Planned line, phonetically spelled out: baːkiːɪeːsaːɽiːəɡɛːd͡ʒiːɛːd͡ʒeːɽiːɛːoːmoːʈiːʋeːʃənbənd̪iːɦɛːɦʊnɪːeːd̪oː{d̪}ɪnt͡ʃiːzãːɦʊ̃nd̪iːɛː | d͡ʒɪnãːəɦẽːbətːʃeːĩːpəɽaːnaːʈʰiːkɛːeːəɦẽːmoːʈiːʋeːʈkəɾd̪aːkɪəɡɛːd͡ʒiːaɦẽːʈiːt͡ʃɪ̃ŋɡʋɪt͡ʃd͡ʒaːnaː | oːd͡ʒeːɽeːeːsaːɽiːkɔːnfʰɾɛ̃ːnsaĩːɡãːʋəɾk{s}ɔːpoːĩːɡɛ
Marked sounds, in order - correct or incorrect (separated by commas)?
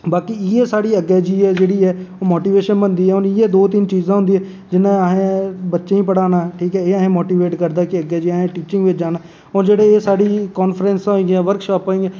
incorrect, incorrect